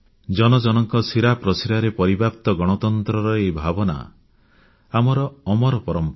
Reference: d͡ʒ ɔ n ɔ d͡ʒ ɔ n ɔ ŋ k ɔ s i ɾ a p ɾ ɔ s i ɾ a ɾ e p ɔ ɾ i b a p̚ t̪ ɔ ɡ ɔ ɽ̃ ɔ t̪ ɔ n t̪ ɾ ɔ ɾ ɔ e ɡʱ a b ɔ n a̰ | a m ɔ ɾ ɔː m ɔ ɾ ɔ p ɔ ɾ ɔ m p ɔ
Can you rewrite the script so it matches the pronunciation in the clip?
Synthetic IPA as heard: d͡ʒ ɔ n ɔ d͡ʒ ɔ n ɔ ŋ k ɔ s i ɾ a p ɾ ɔ s i ɾ a ɾ e p ɔ ɾ i b a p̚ t̪ ɔ ɡ ɔ ɽ̃ ɔ t̪ ɔ n t̪ ɾ ɔ ɾ ɔ e bʱ a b ɔ n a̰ | a m ɔ ɾ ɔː m ɔ ɾ ɔ p ɔ ɾ ɔ m p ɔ